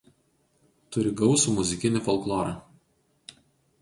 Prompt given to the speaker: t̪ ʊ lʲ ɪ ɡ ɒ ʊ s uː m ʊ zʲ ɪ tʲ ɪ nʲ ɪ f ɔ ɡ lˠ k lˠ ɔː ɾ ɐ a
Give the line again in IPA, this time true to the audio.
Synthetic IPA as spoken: t̪ ʊ ɾʲ ɪ ɡ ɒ ʊ s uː m ʊ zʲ ɪ kʲ ɪ nʲ ɪ f ɔ lˠ k lˠ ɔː ɾ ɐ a